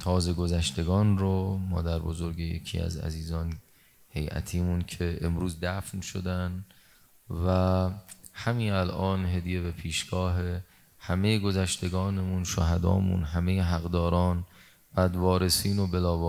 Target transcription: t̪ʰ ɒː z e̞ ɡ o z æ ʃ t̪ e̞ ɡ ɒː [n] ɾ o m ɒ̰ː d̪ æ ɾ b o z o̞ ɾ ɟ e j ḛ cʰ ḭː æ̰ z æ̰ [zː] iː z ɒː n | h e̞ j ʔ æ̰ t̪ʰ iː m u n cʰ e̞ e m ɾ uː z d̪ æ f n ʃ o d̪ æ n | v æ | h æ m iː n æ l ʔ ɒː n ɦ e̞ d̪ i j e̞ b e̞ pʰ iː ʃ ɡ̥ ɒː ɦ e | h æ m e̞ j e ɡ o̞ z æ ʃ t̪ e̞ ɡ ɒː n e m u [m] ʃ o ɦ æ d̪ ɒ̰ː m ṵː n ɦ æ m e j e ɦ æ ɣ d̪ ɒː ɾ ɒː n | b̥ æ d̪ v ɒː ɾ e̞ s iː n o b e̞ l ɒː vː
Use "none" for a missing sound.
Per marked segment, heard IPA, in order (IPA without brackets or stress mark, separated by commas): n, z, n